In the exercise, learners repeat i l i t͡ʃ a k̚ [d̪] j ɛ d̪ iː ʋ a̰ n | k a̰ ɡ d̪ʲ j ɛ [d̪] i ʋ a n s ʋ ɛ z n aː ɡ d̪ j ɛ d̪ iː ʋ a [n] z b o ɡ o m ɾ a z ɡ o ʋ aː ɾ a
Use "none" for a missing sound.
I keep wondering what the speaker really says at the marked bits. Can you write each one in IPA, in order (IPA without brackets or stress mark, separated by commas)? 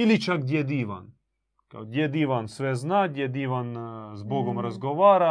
d̪, d̪, n